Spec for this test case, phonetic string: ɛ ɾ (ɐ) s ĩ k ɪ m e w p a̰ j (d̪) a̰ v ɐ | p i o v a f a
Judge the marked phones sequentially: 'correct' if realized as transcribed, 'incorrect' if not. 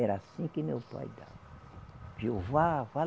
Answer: incorrect, correct

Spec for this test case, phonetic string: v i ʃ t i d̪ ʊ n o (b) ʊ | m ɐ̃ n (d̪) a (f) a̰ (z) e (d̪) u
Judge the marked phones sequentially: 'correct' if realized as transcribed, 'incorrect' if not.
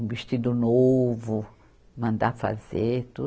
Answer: incorrect, correct, correct, correct, incorrect

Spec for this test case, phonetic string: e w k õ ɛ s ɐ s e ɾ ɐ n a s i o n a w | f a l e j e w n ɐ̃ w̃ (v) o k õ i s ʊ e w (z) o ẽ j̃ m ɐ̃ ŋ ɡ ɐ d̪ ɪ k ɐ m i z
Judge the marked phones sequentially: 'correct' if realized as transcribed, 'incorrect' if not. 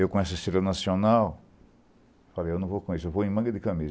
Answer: correct, incorrect

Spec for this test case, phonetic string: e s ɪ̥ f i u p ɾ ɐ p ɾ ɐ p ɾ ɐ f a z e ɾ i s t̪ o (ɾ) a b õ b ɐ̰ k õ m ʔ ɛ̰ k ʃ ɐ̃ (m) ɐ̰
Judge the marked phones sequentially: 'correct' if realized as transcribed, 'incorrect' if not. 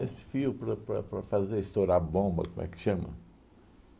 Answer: correct, correct

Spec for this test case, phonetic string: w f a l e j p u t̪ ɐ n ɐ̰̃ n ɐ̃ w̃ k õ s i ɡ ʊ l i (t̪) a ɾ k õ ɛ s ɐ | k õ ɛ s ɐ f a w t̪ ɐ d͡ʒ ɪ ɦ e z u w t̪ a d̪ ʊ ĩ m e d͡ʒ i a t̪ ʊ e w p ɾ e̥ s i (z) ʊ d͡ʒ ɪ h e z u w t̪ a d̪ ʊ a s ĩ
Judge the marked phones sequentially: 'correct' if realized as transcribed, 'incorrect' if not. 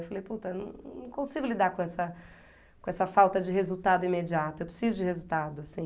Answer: incorrect, correct

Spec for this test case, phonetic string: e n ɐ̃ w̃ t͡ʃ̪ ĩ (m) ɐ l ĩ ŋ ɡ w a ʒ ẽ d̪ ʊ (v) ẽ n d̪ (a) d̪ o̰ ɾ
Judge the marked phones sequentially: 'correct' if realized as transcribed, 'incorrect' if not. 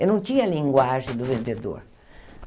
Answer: incorrect, correct, incorrect

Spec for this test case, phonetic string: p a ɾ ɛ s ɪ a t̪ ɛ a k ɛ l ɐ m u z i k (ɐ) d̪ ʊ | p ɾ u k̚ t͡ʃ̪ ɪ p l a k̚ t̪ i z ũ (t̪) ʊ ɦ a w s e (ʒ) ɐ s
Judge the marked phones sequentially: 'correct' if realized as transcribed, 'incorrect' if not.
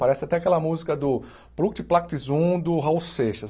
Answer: correct, incorrect, incorrect

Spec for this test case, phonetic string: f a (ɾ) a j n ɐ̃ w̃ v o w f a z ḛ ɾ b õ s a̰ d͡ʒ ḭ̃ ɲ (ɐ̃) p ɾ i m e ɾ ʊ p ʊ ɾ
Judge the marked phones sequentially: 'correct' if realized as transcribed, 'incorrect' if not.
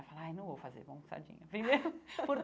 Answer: incorrect, incorrect

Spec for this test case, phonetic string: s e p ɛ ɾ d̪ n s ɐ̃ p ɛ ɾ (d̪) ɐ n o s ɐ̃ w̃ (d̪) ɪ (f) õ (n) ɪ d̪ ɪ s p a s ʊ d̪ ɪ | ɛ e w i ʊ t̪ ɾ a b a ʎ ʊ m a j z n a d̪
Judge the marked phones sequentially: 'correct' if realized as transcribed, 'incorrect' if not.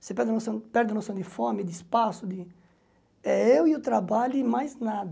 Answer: correct, correct, correct, incorrect

